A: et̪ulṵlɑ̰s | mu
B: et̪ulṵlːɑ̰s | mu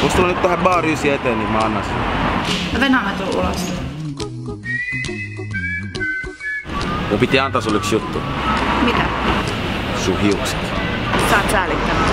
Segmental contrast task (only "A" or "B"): A